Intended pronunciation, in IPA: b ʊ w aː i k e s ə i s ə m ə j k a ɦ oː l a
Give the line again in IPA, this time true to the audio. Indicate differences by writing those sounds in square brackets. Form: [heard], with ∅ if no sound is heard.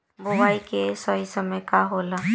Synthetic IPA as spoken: b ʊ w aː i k e s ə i s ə m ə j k a ɦ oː l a